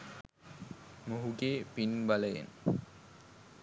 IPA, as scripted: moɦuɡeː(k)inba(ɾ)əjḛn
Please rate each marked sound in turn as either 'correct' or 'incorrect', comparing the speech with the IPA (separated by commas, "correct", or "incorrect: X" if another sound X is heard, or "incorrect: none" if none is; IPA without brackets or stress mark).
incorrect: p, incorrect: l